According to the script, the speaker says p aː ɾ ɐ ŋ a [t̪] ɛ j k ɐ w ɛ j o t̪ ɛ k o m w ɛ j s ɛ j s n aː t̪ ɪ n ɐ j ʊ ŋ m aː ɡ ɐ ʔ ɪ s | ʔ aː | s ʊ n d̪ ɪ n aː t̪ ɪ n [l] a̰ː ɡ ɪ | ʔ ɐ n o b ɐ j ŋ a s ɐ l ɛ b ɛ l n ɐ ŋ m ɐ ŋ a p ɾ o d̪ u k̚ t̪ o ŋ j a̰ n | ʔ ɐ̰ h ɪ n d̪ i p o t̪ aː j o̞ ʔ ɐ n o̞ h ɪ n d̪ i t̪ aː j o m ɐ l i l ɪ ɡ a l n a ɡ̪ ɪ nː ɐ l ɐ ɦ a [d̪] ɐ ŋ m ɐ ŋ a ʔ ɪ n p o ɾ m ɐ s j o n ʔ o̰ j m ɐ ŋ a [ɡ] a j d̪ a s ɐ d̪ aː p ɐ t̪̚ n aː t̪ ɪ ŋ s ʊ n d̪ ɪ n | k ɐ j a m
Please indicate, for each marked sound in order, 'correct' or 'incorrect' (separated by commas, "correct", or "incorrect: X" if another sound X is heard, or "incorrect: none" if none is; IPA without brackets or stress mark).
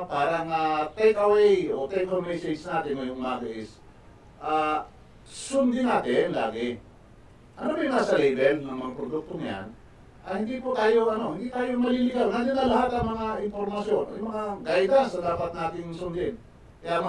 correct, correct, incorrect: t̪, correct